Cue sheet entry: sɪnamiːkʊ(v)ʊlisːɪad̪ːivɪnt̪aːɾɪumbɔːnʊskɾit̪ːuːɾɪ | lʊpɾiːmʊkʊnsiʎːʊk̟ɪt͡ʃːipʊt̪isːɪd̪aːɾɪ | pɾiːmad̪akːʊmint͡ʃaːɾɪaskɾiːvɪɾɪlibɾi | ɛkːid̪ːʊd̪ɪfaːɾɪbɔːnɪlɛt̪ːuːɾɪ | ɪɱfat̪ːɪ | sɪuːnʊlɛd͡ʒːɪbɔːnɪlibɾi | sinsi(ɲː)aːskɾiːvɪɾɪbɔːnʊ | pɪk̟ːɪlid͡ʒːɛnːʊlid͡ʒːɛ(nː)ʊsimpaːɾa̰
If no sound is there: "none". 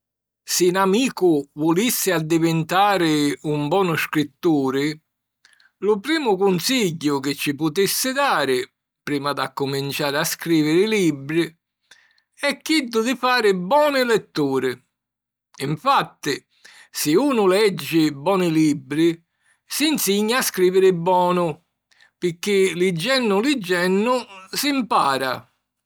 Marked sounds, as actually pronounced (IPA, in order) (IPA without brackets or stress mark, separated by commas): v, ɲː, nː